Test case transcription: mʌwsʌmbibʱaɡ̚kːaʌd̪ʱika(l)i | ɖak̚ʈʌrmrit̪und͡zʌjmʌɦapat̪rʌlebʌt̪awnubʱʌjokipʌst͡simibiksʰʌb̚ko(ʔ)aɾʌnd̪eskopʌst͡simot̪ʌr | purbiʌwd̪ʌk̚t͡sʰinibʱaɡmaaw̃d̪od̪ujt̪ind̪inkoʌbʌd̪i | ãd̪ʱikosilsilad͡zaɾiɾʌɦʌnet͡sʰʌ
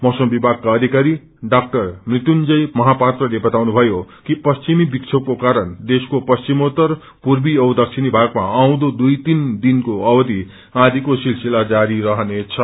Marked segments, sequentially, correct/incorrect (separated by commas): incorrect, incorrect